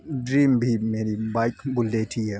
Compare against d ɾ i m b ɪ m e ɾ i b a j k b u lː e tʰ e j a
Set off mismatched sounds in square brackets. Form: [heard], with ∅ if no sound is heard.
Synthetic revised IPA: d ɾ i m b [i] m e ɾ i b a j k b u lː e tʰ [i] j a